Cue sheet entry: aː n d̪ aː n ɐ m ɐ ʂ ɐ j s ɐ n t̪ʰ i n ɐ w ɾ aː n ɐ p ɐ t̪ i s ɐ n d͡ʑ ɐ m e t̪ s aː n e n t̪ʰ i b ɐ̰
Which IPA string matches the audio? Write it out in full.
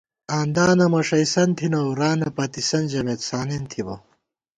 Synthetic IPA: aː n d̪ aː n ɐ m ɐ ʂ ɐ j s ɐ n t̪ʰ i n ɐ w ɾ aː n ɐ p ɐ t̪ i s ɐ n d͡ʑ ɐ m e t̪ s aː n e n t̪ʰ i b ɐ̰